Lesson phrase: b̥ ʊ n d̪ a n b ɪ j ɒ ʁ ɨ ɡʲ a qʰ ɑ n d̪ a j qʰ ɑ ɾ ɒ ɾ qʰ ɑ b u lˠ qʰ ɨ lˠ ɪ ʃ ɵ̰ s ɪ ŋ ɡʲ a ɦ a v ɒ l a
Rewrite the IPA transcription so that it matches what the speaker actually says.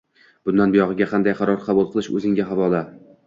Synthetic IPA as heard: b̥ ʊ n d̪ a n b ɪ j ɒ ʁ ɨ ɡʲ a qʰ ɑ n d̪ a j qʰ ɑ ɾ ɒ ɾ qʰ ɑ b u lˠ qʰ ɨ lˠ ɪ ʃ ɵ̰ z ɪ ŋ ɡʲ a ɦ a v ɒ l a